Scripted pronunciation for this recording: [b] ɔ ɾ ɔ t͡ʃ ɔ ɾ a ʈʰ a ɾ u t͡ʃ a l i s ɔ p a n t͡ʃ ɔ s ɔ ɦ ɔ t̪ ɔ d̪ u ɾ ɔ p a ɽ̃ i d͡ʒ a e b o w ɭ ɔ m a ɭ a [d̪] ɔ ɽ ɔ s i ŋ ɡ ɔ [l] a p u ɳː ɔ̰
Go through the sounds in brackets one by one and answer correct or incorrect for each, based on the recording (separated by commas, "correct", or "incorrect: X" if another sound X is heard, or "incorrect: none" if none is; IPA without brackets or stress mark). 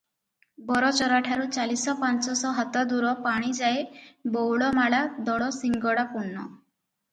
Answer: correct, correct, incorrect: ɽ